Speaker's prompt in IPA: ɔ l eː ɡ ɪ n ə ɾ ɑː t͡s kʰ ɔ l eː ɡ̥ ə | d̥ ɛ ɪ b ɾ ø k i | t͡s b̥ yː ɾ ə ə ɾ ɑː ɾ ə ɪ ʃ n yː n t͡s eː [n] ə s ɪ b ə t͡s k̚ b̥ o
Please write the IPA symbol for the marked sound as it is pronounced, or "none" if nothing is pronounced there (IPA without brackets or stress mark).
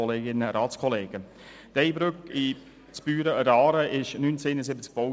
n